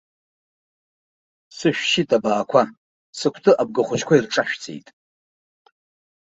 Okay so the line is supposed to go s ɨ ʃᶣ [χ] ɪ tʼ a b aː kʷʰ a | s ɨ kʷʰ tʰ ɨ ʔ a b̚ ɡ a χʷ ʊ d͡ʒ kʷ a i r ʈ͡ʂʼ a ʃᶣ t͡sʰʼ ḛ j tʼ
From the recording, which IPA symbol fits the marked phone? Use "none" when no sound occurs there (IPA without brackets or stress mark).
ʃ